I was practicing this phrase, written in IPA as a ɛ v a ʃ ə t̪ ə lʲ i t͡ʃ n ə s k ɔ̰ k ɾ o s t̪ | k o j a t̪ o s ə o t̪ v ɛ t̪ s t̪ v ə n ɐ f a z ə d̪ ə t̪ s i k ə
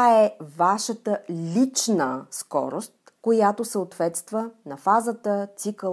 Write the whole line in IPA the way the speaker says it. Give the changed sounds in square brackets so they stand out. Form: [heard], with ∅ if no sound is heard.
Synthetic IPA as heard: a ɛ v a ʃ ə t̪ ə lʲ i t͡ʃ n ə s k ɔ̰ [∅] ɾ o s t̪ | k o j a t̪ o s ə o t̪ v ɛ t̪ s t̪ v ə n ɐ f a z ə [t̪] ə t̪ s i k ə